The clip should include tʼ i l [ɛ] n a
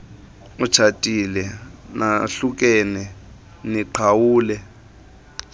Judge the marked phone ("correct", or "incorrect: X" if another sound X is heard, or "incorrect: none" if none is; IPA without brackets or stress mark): correct